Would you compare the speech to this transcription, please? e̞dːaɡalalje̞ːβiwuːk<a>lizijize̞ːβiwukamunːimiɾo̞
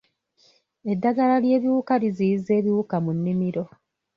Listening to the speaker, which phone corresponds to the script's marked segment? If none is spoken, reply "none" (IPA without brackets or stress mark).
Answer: a